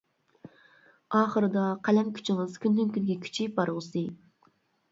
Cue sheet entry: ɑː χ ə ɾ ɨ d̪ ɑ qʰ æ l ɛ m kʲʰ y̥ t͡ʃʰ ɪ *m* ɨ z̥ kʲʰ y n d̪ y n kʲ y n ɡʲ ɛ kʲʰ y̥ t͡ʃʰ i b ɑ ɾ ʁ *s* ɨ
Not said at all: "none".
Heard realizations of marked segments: ŋ, s

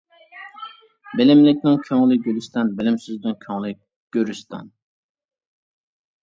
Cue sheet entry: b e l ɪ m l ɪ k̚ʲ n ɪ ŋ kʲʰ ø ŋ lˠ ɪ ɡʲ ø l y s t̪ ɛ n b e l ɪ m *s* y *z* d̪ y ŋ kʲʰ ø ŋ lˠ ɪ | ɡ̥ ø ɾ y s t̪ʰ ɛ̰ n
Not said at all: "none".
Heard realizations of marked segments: s, z

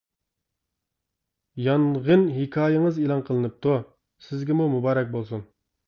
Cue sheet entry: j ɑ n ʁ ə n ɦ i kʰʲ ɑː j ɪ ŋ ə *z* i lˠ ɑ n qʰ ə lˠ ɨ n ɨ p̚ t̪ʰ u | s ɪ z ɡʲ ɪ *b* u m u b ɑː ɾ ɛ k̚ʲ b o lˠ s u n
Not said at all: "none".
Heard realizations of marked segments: z, m

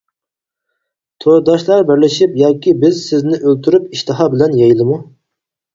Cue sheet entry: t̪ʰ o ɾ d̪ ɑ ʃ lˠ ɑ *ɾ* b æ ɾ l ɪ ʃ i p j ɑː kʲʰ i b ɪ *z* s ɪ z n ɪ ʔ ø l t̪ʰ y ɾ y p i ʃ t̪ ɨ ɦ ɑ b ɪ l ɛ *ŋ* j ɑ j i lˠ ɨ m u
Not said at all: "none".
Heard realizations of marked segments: ɾ, z, n

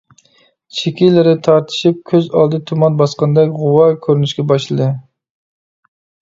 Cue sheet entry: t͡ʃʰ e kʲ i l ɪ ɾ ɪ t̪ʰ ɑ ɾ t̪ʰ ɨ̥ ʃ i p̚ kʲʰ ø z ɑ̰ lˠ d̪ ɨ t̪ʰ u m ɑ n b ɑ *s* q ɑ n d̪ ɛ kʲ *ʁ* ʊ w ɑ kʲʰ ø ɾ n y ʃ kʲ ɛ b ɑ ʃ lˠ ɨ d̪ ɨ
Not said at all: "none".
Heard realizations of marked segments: s, ʁ

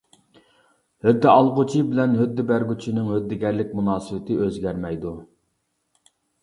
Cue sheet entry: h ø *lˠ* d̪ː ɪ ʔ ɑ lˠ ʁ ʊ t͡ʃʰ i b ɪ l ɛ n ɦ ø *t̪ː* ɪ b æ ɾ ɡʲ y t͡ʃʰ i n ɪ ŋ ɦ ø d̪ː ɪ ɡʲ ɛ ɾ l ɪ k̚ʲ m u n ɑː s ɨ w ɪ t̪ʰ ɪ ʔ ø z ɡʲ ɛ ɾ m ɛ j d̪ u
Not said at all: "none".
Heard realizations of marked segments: none, d̪ː

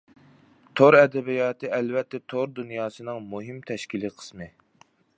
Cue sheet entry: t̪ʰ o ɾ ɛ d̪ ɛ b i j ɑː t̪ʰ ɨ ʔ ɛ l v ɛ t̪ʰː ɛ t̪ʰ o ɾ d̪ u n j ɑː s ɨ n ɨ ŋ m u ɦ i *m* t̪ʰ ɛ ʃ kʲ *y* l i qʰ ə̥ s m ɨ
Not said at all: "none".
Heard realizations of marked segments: m, i

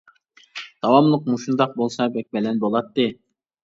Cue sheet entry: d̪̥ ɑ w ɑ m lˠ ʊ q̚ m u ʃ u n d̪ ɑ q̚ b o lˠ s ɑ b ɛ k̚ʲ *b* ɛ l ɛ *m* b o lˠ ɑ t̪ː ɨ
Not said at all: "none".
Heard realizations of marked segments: b, n

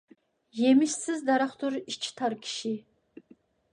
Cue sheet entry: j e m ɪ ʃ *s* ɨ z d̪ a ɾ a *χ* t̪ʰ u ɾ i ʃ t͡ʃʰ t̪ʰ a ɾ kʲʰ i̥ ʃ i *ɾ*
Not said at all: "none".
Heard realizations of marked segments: s, χ, none

